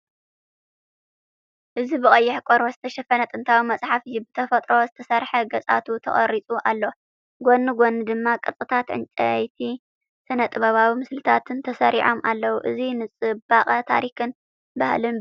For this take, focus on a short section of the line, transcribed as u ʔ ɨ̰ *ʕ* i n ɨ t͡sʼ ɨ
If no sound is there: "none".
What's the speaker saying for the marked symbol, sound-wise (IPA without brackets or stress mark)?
z